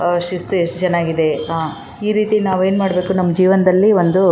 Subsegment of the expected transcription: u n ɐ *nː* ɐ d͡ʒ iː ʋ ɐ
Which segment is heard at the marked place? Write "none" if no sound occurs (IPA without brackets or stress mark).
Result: mː